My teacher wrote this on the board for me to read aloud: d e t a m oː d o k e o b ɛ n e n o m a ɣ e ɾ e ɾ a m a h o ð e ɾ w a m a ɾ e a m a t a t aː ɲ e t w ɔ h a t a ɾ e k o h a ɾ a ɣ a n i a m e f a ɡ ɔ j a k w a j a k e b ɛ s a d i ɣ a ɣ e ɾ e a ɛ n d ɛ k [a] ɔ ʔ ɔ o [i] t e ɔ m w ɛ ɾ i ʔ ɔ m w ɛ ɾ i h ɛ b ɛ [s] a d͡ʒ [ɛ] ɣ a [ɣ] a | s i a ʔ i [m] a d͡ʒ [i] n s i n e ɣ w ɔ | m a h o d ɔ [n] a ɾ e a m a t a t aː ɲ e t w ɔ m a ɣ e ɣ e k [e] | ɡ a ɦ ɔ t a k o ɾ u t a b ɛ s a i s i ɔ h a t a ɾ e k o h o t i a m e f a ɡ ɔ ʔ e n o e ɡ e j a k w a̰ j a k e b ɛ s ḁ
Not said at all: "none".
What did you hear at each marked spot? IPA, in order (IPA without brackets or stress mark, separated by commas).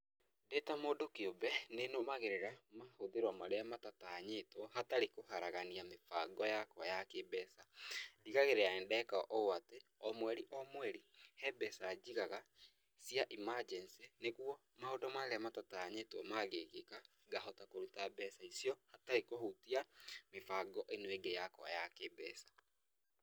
a, a, s, i, ɣ, m, ɛ, m, a